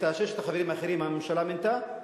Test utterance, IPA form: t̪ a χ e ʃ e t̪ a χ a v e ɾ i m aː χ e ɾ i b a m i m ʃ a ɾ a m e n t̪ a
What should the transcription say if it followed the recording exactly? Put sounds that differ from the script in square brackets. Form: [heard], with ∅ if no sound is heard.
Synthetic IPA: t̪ a [ʃ] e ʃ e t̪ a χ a v e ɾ i m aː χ e ɾ i [m] a m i m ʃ a [l] a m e n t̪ a